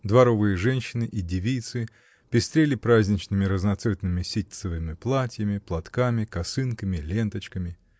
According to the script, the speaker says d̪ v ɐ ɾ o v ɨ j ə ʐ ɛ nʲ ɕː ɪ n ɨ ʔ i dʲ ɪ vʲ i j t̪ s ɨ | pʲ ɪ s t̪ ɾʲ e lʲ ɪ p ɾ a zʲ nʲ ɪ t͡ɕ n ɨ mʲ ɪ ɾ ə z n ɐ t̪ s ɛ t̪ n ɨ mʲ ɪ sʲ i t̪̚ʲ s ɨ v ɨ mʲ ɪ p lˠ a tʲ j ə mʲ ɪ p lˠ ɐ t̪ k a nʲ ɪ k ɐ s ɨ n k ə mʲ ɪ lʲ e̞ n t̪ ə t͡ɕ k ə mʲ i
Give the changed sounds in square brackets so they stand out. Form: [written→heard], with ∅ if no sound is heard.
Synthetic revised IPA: d̪ v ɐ ɾ o v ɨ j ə ʐ ɛ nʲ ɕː ɪ n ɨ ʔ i dʲ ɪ vʲ i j t̪ s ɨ | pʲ ɪ s t̪ ɾʲ e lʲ ɪ p ɾ a zʲ nʲ ɪ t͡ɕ n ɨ mʲ ɪ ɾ ə z n ɐ t̪ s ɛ t̪ n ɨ mʲ ɪ sʲ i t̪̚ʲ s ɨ v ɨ mʲ ɪ p lˠ a tʲ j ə mʲ ɪ p lˠ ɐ t̪ k a [nʲ→mʲ] ɪ k ɐ s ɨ n k ə mʲ ɪ lʲ e̞ n t̪ ə t͡ɕ k ə mʲ [i→ɪ]